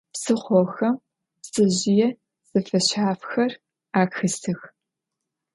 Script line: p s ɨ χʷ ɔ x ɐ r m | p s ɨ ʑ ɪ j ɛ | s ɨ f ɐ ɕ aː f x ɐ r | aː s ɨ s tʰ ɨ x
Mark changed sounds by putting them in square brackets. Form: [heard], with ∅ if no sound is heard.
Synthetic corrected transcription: p s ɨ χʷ ɔ x ɐ [∅] m | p s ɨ ʑ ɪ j ɛ | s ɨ f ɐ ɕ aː f x ɐ r | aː [x] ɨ s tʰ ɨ x